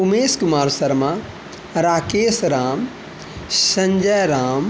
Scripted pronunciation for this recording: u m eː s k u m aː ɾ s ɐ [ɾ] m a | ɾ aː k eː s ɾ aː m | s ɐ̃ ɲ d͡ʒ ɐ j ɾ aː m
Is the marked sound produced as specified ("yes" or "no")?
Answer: yes